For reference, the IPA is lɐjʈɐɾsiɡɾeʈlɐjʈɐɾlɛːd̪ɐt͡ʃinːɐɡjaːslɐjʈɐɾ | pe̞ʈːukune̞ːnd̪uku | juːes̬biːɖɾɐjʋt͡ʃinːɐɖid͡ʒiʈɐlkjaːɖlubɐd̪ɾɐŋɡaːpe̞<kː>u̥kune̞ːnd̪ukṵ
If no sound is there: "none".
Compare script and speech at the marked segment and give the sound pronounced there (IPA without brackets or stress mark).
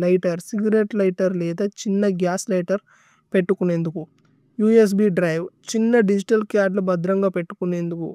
ʈː